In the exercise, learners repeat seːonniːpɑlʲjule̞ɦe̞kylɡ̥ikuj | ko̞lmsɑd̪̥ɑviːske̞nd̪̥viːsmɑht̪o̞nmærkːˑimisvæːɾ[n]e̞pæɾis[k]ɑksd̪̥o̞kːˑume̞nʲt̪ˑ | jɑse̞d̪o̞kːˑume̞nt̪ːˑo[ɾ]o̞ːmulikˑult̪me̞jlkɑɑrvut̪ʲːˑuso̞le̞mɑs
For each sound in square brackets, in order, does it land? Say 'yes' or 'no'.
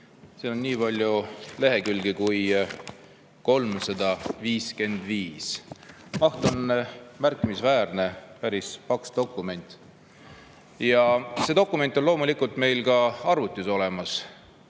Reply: yes, no, no

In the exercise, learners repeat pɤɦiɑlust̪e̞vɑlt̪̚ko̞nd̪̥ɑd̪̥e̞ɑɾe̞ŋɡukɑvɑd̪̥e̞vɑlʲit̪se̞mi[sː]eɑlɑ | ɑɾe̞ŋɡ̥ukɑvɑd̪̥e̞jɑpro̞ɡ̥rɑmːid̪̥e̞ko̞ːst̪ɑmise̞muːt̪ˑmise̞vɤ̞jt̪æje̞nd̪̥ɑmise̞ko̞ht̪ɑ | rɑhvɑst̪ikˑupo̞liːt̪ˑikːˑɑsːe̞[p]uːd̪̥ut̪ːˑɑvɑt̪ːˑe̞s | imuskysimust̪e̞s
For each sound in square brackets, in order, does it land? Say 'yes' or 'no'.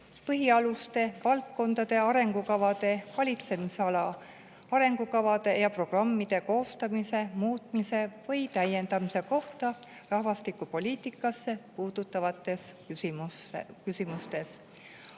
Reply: no, yes

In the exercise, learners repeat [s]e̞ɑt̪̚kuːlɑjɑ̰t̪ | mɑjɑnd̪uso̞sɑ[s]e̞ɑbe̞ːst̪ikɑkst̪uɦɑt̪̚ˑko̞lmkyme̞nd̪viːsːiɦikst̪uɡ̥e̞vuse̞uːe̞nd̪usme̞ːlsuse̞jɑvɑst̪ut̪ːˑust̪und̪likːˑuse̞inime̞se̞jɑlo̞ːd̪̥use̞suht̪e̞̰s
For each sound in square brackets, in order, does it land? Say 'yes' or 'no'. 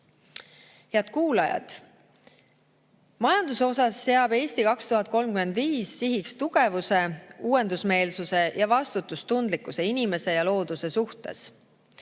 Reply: no, no

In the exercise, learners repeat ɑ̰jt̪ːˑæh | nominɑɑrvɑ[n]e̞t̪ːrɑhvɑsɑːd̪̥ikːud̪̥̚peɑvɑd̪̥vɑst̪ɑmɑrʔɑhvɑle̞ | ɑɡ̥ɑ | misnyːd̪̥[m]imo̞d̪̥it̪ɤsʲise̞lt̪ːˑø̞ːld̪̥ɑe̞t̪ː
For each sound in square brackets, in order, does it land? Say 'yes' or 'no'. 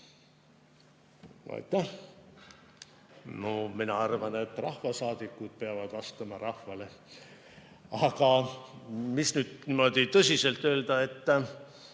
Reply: yes, no

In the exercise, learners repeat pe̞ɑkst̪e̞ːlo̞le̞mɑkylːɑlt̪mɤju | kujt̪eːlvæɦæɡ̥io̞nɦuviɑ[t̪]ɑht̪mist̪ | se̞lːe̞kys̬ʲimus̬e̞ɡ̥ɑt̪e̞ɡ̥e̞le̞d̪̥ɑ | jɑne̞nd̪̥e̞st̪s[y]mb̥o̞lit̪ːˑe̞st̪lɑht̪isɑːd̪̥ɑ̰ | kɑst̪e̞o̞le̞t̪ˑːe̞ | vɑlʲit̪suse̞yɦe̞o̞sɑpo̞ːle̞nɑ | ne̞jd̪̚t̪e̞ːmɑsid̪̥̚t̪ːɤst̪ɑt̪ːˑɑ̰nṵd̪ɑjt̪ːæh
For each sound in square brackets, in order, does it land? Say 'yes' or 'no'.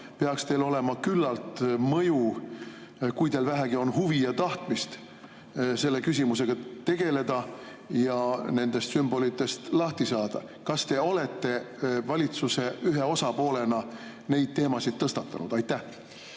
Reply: yes, yes

